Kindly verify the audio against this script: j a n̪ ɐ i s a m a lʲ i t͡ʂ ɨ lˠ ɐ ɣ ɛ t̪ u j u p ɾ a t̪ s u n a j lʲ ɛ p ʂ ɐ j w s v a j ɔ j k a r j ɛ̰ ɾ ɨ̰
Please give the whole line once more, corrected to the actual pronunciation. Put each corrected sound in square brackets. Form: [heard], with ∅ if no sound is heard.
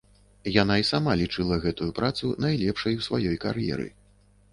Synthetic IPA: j a n̪ [a] i s a m a lʲ i t͡ʂ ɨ lˠ ɐ ɣ ɛ t̪ u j u p ɾ a t̪ s u n a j lʲ ɛ p ʂ ɐ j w s v a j ɔ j k a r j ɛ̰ ɾ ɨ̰